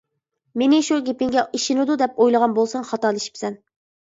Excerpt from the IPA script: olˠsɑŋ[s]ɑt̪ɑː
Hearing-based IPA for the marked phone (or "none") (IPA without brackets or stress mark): χ